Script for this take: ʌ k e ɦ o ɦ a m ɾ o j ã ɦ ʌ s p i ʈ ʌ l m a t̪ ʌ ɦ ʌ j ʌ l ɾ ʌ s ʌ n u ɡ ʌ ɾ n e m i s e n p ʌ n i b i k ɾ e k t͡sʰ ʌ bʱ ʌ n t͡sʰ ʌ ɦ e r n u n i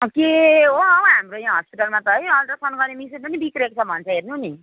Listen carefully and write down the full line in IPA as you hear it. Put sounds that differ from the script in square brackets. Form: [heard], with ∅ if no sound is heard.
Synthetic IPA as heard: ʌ k e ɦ o ɦ a m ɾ o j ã ɦ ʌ s p i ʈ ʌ l m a t̪ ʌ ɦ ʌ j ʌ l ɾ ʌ s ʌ n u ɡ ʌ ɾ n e m i s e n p ʌ n i b i k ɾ e k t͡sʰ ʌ bʱ ʌ n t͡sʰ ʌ ɦ e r n u n i